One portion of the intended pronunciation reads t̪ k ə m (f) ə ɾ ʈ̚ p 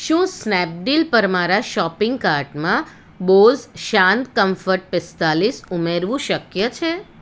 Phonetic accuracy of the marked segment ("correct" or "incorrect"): correct